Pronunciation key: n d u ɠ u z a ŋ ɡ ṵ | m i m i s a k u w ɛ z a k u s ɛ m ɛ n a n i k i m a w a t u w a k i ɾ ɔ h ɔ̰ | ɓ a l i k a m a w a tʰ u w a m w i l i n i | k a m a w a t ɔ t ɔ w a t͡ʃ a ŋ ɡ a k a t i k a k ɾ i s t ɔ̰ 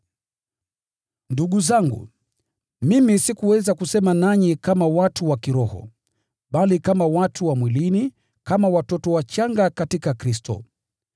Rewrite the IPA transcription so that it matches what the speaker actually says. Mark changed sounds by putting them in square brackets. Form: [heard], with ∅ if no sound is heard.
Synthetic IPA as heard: n d u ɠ u z a ŋ ɡ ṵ | m i m i s [i] k u w ɛ z a k u s ɛ m [a] n a [ɲ] i k [a] m a w a t u w a k i ɾ ɔ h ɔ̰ | ɓ a l i k a m a w a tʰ u w a m w i l i n i | k a m a w a t ɔ t ɔ w a t͡ʃ a ŋ ɡ a k a t i k a k ɾ i s t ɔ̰